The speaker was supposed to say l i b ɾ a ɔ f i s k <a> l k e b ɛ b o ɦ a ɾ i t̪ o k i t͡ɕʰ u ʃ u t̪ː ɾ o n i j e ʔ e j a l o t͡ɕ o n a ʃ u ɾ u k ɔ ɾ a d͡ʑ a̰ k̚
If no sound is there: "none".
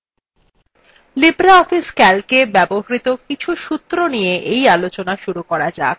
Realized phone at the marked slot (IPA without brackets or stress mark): ɛ